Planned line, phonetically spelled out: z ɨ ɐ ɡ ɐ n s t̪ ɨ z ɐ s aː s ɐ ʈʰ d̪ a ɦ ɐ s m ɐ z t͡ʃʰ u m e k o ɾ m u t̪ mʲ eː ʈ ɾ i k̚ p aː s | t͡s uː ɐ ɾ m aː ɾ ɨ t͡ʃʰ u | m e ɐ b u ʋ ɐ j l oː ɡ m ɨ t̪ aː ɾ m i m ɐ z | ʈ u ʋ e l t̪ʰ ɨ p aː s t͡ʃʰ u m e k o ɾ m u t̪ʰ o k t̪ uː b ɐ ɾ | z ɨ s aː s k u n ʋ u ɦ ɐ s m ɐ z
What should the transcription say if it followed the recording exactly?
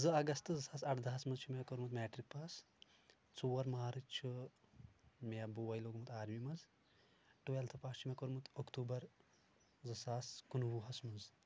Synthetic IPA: z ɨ ɐ ɡ ɐ s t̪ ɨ z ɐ s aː s ɐ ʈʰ d̪ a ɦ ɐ s m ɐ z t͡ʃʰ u m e k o ɾ m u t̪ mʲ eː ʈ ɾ i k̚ p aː s | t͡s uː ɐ ɾ m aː ɾ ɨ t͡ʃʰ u | m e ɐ b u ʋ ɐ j l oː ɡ m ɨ t̪ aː ɾ m i m ɐ z | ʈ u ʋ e l t̪ʰ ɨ p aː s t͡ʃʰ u m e k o ɾ m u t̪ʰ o k t̪ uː b ɐ ɾ | z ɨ s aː s k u n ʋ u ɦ ɐ s m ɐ z

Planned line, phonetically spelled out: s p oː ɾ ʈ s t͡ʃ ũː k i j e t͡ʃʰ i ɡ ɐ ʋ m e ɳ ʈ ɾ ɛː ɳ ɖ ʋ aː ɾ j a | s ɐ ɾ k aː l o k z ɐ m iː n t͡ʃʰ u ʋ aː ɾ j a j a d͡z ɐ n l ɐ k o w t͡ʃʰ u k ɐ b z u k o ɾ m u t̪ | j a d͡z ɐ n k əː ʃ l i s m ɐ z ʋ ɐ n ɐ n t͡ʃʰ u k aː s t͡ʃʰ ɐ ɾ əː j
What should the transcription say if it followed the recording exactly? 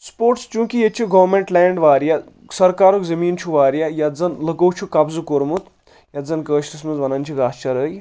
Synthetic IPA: s p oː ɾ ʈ s t͡ʃ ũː k i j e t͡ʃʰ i ɡ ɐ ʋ m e ɳ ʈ l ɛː ɳ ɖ ʋ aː ɾ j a | s ɐ ɾ k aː ɾ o k z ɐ m iː n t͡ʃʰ u ʋ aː ɾ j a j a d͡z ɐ n l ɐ k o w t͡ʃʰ u k ɐ b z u k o ɾ m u t̪ | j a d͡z ɐ n k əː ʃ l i s m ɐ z ʋ ɐ n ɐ n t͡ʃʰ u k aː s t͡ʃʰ ɐ ɾ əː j

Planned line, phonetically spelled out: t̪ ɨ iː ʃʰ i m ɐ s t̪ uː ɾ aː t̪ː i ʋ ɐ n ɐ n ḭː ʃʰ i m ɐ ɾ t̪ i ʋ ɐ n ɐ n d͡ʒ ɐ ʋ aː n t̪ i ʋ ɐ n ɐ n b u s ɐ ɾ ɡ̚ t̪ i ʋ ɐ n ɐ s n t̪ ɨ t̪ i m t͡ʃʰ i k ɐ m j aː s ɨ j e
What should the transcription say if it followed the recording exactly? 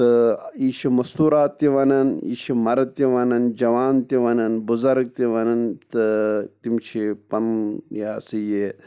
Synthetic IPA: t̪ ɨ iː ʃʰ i m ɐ s t̪ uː ɾ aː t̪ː i ʋ ɐ n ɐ n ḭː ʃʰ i m ɐ ɾ t̪ i ʋ ɐ n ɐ n d͡ʒ ɐ ʋ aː n t̪ i ʋ ɐ n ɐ n b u z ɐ ɾ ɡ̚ t̪ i ʋ ɐ n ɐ n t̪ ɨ t̪ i m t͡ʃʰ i p ɐ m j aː s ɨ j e

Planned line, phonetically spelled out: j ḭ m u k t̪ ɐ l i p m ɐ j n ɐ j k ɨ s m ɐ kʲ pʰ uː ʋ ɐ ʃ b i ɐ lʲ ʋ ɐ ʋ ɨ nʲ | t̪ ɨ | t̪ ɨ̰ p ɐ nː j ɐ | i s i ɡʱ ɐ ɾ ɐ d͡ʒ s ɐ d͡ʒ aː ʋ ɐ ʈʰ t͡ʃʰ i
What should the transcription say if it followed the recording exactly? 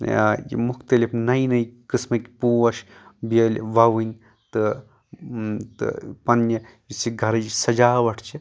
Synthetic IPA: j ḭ m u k t̪ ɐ l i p n ɐ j n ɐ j k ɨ s m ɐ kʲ p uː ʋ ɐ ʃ b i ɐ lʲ ʋ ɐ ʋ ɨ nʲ | t̪ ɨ | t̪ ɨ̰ p ɐ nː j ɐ | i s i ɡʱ ɐ ɾ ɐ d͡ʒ s ɐ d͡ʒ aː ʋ ɐ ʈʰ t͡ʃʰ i

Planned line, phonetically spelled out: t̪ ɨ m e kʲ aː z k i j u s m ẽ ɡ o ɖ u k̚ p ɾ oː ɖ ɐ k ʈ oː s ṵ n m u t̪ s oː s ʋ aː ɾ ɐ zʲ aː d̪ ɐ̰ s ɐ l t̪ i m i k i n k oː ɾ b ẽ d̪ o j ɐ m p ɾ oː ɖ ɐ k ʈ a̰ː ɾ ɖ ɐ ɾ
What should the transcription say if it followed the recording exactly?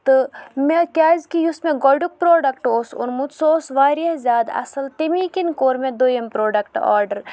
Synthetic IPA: t̪ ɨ m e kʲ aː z k i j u s m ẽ ɡ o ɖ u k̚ p ɾ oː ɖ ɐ k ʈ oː s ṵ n m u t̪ s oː s ʋ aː ɾ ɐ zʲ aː d̪ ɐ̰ s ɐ l t̪ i m i k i n k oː ɾ m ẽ d̪ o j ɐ m p ɾ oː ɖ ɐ k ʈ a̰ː ɾ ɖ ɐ ɾ

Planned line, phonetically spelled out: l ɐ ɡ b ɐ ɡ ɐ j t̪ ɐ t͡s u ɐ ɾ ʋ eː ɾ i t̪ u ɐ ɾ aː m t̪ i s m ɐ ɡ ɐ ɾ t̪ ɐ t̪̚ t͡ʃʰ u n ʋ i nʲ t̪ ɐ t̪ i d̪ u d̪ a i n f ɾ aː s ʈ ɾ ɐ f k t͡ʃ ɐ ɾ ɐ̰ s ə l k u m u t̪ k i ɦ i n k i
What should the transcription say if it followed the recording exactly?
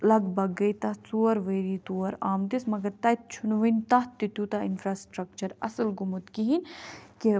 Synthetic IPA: l ɐ ɡ b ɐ ɡ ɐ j t̪ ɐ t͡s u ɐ ɾ ʋ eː ɾ i t̪ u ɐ ɾ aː m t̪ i s m ɐ ɡ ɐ ɾ t̪ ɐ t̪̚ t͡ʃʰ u n ʋ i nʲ t̪ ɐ t̪ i t̪ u t̪ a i n f ɾ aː s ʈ ɾ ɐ k t͡ʃ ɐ ɾ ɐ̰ s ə l ɡ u m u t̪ k i ɦ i n k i

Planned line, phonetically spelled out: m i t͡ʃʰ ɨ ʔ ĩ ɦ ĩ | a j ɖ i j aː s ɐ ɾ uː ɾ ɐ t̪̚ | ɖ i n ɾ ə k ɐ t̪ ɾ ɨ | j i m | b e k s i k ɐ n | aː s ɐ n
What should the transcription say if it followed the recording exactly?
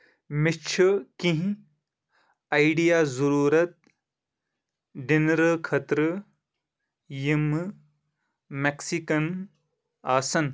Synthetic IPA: m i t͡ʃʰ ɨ k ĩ ɦ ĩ | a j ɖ i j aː z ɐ ɾ uː ɾ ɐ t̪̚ | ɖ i n ɾ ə kʰ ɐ t̪ ɾ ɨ | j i m | m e k s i k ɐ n | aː s ɐ n

